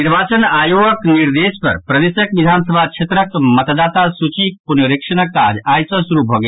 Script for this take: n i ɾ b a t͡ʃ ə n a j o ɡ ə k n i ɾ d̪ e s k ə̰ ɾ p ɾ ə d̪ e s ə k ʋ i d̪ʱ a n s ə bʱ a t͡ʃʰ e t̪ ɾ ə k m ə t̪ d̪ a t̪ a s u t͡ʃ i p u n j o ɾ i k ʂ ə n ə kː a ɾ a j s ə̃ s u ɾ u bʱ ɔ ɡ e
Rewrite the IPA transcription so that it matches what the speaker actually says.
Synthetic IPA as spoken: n i ɾ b a t͡ʃ ə n a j o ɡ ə k n i ɾ d̪ e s p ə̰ ɾ p ɾ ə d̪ e s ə k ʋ i d̪ʱ a n s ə bʱ a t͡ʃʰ e t̪ ɾ ə k m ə t̪ d̪ a t̪ a s u t͡ʃ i p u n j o ɾ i k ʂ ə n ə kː a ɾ a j s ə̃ s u ɾ u bʱ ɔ ɡ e